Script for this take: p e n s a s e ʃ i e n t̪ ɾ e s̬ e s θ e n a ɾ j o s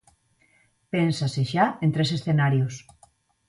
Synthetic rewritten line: p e n s a s e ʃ a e n t̪ ɾ e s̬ e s θ e n a ɾ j o s